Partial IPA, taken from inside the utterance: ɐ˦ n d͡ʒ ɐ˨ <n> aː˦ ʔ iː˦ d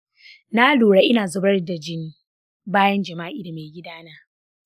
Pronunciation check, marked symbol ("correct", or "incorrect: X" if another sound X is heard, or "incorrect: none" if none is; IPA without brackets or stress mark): incorrect: m